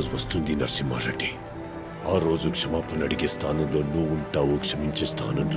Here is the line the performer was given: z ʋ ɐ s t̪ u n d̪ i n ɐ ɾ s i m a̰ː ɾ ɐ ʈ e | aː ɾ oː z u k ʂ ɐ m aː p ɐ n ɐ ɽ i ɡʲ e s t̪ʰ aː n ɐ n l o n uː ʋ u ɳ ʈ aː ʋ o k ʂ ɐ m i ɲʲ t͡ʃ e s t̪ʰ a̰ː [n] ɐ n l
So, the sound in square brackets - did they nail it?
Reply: yes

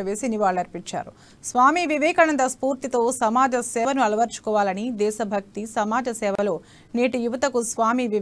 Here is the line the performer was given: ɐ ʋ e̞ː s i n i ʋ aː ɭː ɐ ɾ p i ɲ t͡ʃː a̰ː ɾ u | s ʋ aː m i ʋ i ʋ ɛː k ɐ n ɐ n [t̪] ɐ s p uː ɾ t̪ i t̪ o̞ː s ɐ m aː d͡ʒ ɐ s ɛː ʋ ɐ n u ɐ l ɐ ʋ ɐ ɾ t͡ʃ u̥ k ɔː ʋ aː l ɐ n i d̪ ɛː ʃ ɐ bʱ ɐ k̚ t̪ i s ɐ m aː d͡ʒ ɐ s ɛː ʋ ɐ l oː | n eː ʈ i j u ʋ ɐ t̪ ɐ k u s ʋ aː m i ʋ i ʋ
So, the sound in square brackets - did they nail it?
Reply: no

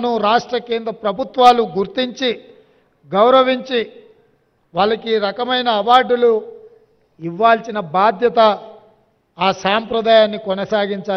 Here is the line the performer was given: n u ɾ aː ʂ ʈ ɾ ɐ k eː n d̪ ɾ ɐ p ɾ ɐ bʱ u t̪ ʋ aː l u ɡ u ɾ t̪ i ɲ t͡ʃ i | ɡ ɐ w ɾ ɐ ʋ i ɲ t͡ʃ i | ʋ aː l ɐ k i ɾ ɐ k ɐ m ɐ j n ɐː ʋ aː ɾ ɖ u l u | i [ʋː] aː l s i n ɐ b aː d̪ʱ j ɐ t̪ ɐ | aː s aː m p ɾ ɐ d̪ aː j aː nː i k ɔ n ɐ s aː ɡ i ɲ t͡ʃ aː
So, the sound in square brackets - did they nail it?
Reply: yes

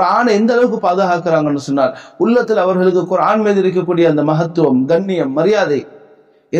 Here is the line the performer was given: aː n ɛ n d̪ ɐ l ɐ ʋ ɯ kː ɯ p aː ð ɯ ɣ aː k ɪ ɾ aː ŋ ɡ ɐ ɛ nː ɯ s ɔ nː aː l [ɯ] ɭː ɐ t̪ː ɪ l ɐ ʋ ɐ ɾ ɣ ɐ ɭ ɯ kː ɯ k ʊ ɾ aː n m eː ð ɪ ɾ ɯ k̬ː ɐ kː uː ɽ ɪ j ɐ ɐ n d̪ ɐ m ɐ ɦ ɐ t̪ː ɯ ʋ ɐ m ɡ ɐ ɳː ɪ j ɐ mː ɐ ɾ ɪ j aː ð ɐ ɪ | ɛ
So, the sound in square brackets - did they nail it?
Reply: no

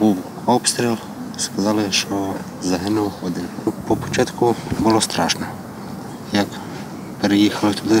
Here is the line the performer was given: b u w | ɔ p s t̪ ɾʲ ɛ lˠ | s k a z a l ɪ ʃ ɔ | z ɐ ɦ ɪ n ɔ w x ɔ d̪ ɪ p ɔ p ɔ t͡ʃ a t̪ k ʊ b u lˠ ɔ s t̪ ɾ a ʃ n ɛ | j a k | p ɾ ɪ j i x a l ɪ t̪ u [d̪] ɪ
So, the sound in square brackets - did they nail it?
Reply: yes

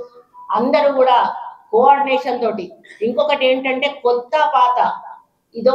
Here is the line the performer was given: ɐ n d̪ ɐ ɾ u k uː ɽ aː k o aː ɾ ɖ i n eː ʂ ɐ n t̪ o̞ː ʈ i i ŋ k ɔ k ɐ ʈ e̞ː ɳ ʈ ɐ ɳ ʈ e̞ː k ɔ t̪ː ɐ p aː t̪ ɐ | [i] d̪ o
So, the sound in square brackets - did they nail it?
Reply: yes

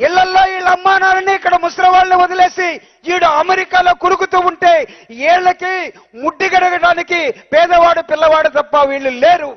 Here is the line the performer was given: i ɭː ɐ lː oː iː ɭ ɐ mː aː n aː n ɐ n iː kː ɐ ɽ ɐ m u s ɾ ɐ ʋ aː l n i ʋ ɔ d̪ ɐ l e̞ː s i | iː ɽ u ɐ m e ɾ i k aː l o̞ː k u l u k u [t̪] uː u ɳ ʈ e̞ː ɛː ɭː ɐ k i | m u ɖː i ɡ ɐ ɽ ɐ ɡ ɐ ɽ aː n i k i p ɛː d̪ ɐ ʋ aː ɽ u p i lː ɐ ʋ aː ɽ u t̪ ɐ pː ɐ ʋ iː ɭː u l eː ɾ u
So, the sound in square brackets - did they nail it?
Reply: yes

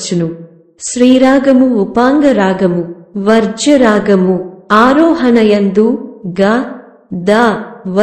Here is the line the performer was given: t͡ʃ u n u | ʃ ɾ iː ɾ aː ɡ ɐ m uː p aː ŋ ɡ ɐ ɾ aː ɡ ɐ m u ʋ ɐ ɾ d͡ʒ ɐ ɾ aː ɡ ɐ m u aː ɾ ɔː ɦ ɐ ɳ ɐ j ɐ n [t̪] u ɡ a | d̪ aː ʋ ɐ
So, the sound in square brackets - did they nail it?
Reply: no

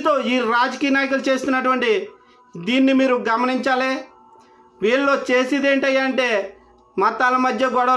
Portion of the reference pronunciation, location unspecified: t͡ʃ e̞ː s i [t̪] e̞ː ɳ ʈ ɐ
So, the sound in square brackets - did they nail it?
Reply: no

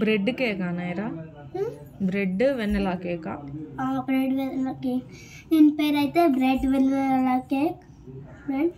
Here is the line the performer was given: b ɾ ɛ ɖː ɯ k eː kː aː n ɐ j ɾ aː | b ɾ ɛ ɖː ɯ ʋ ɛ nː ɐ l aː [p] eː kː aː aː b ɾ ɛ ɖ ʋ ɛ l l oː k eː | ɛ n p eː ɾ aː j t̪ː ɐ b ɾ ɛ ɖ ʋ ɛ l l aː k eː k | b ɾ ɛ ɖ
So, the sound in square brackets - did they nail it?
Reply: no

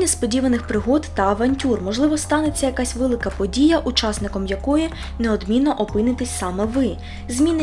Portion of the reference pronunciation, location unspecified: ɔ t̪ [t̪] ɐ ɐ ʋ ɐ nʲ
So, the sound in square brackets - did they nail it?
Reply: yes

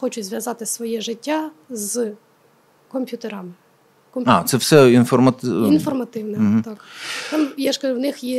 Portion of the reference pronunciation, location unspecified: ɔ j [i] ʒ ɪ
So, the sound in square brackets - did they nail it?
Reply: no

